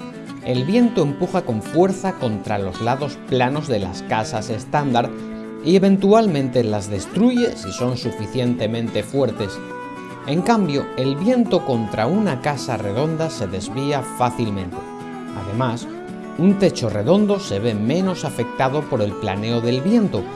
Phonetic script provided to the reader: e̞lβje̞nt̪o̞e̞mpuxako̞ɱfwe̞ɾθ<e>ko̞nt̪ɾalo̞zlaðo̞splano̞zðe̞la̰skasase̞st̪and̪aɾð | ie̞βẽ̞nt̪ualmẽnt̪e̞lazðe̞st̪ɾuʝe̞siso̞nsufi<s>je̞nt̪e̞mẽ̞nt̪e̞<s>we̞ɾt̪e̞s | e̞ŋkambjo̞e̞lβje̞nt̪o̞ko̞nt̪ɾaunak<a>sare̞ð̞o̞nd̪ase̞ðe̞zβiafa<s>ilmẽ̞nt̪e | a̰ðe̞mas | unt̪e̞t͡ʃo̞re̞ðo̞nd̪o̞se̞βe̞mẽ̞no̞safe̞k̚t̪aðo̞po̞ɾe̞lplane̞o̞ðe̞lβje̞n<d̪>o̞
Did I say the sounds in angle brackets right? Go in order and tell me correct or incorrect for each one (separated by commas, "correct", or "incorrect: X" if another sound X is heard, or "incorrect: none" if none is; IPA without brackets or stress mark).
incorrect: a, incorrect: θ, incorrect: f, correct, incorrect: θ, incorrect: t̪